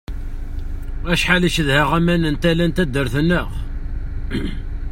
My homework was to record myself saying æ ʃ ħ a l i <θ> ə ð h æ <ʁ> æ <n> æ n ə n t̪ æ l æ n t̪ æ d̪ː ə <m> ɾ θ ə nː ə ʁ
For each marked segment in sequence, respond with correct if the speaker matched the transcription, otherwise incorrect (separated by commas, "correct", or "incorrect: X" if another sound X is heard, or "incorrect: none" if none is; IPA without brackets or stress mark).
incorrect: ʃ, correct, incorrect: m, incorrect: none